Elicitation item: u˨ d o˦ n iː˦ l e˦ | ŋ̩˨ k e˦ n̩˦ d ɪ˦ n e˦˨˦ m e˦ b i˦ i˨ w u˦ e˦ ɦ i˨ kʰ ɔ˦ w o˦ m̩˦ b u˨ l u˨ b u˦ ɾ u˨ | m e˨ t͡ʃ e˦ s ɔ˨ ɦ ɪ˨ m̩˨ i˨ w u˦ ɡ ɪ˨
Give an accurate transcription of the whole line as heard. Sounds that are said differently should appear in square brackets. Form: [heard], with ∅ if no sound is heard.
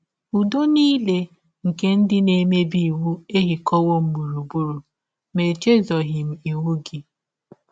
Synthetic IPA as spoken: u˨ d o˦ n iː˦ l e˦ | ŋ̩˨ k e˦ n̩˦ d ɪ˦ n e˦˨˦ m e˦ b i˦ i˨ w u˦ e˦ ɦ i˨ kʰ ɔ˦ w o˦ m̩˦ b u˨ [ɾ] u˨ b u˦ ɾ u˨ | m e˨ t͡ʃ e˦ [z] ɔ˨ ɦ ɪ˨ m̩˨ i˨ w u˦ ɡ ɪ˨